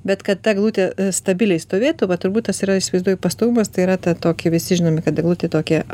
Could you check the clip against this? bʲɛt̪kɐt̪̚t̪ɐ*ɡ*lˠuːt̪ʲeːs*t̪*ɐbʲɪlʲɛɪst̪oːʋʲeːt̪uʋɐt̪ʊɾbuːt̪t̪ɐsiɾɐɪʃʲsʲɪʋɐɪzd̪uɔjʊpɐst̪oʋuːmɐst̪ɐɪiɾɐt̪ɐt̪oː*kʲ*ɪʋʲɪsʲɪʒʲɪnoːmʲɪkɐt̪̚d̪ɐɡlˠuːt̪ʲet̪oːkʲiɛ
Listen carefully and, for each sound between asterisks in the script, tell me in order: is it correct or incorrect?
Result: correct, correct, correct

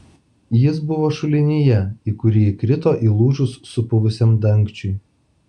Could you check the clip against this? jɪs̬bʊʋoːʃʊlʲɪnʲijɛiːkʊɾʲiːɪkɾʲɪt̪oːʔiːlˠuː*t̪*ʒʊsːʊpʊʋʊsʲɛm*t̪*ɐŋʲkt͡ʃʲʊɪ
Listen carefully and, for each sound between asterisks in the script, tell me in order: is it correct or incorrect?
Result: incorrect: none, incorrect: d̪

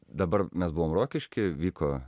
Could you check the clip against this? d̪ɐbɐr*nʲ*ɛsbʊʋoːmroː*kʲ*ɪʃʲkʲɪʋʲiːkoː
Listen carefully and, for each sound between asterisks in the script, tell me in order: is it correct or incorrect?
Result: incorrect: mʲ, correct

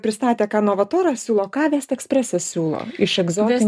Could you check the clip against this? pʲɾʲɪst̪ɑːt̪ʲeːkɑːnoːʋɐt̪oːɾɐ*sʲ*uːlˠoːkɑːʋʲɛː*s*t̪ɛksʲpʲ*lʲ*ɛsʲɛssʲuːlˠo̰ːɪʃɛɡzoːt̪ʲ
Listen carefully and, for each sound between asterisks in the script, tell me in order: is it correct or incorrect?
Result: correct, correct, incorrect: ɾʲ

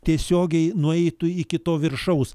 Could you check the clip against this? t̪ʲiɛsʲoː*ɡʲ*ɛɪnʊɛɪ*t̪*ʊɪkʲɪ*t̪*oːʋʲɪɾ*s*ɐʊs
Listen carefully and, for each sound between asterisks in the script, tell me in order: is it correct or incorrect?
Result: correct, correct, correct, incorrect: ʃ

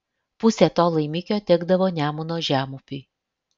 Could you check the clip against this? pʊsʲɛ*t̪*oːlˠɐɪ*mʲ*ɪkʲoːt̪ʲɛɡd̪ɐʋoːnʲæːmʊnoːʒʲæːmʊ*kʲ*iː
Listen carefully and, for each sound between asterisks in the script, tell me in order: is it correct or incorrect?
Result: correct, correct, incorrect: pʲ

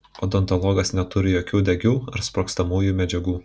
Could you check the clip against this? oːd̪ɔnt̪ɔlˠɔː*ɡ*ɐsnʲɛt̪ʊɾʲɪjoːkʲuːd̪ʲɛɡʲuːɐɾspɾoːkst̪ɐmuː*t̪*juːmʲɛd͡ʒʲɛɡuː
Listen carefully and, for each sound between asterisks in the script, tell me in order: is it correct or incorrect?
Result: correct, incorrect: none

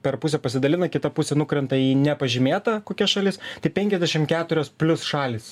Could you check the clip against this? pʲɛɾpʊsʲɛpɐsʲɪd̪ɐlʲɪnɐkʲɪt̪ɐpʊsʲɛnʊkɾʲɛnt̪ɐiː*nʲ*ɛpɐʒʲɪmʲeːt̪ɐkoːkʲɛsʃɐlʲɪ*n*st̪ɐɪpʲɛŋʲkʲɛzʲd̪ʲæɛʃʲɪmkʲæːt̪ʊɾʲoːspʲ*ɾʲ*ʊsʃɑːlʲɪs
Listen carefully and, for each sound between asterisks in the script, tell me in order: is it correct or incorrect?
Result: correct, incorrect: none, incorrect: lʲ

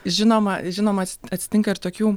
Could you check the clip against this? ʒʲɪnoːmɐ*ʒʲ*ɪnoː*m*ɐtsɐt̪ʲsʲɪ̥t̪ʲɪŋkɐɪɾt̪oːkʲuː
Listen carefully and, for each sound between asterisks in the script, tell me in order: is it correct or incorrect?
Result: correct, correct

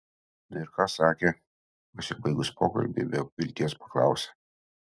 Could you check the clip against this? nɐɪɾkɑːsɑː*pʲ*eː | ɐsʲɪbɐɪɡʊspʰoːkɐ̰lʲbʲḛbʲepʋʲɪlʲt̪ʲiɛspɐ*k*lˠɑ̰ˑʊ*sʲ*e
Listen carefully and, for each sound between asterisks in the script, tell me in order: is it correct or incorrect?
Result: incorrect: kʲ, correct, correct

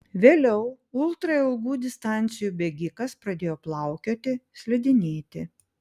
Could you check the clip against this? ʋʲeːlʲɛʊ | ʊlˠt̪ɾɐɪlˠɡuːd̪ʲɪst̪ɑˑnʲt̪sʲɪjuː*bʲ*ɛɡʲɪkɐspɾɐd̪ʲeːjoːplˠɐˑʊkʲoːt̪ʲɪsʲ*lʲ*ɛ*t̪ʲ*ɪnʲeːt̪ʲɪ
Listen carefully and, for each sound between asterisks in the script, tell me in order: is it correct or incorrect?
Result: correct, correct, incorrect: d̪ʲ

